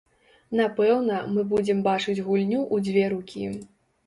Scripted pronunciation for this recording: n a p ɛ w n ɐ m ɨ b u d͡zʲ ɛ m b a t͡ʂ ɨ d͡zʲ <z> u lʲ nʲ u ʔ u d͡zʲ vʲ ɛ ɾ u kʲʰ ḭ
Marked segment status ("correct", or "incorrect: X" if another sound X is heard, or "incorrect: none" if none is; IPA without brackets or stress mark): incorrect: ɣ